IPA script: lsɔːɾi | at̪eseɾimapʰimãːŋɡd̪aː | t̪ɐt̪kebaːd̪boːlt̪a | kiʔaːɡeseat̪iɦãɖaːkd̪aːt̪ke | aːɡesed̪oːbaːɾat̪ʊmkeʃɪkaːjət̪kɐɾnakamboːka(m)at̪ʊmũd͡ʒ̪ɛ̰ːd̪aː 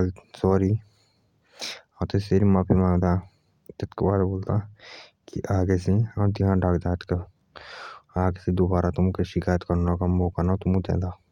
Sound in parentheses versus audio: incorrect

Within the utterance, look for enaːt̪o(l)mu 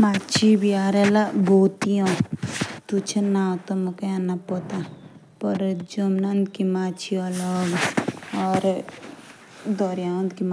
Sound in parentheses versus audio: incorrect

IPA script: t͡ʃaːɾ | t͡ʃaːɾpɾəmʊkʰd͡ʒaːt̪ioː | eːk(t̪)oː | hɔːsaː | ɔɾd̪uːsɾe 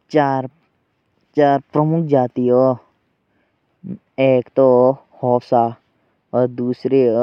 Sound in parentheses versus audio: correct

